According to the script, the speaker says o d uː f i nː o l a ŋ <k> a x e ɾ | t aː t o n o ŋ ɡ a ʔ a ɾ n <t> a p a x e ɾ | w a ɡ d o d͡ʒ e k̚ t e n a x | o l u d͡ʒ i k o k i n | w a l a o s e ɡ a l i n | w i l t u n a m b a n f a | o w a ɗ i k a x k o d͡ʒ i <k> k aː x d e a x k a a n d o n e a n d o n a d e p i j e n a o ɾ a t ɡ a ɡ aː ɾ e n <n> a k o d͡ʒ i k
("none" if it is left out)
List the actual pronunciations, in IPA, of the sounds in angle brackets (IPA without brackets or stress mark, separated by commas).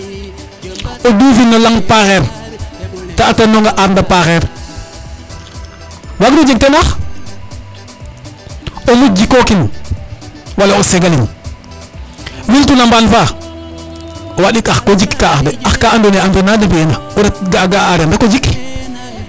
p, d, k, d